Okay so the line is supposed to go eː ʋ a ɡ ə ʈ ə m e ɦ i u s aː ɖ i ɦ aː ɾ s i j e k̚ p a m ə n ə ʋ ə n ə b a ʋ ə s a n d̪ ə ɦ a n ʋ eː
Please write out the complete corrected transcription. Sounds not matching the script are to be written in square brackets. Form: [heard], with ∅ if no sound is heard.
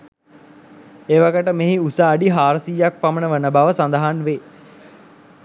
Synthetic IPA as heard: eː ʋ a ɡ ə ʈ ə m e ɦ i u s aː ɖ i ɦ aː ɾ s i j [a] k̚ p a m ə n ə ʋ ə n ə b a ʋ ə s a n d̪ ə ɦ a n ʋ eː